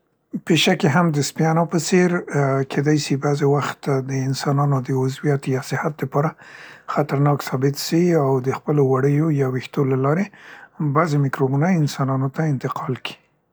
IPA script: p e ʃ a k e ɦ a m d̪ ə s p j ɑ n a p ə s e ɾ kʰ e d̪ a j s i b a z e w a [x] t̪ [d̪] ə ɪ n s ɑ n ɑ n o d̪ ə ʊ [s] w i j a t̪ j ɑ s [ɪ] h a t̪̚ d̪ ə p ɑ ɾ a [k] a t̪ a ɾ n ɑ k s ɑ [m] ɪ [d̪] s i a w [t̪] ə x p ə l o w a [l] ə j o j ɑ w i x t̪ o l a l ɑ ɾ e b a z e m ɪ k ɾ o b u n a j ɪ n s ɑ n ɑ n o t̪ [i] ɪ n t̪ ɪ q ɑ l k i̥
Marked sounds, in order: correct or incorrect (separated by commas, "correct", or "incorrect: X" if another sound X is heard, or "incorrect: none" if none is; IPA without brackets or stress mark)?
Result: correct, correct, incorrect: z, correct, incorrect: x, incorrect: b, incorrect: t̪, incorrect: d̪, incorrect: ɽ, incorrect: a